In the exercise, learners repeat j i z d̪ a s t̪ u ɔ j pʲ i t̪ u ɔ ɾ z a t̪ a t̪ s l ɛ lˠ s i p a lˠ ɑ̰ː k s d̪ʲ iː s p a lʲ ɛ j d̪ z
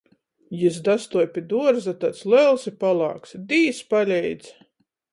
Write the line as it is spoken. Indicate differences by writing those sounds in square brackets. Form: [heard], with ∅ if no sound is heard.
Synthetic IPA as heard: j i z d̪ a s t̪ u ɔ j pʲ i [d̪] u ɔ ɾ z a t̪ a t̪ s l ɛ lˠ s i p a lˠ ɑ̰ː k s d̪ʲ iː s p a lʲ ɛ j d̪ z